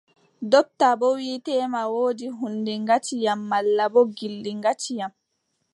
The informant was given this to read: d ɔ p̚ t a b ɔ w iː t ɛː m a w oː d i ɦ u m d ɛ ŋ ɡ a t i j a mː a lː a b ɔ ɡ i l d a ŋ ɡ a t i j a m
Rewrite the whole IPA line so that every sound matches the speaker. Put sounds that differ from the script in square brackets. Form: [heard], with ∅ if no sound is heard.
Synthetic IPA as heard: d ɔ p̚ t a b ɔ w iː t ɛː m a w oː d i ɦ u [n] d ɛ ŋ ɡ a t i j a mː a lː a b ɔ ɡ i l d [i] ŋ ɡ a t i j a m